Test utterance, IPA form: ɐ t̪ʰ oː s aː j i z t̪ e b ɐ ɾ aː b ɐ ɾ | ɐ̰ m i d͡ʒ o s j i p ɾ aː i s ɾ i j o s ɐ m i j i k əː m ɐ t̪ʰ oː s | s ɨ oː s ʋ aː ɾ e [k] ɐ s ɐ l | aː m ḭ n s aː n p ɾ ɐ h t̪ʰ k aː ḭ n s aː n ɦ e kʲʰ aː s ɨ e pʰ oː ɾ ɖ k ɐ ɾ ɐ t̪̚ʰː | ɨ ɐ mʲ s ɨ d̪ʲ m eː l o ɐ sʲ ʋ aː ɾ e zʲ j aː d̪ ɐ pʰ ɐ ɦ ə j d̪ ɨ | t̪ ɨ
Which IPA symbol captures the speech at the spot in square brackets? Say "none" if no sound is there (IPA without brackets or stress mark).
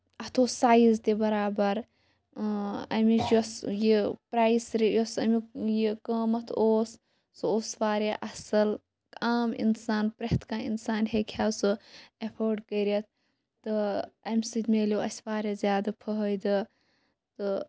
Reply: ʔ